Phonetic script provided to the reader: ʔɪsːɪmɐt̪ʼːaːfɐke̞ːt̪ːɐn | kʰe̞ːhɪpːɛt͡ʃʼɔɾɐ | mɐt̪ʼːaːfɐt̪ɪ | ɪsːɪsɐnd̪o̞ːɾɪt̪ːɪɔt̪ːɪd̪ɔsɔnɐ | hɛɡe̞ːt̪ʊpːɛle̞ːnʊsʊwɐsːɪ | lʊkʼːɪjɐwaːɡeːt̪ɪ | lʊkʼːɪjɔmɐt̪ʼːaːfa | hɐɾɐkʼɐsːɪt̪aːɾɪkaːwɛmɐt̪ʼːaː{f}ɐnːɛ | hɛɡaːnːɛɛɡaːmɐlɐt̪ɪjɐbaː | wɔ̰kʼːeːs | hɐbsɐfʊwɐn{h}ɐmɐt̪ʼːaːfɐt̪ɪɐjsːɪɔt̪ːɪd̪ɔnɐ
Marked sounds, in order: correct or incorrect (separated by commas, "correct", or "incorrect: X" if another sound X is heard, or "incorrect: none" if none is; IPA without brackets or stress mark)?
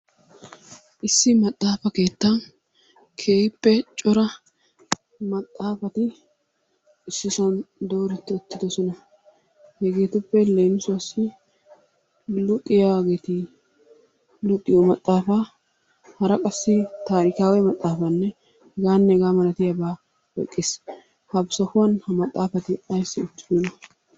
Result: correct, correct